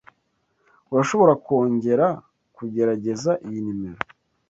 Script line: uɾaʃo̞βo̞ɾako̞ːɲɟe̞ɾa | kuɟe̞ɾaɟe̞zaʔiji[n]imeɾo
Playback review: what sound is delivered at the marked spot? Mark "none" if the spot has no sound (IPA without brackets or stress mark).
n